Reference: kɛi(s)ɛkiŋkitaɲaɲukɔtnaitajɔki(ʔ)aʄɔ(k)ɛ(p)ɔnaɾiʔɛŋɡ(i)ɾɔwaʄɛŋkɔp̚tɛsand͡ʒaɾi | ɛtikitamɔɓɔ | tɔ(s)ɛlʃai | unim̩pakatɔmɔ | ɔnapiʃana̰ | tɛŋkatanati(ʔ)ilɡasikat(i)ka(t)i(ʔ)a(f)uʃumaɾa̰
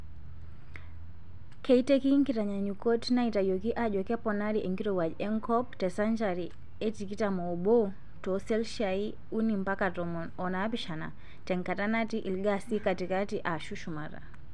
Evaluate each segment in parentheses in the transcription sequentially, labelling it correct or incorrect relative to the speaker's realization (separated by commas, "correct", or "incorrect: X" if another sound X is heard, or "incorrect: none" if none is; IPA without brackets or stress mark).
incorrect: t, correct, correct, correct, correct, correct, correct, correct, correct, correct, incorrect: ʃ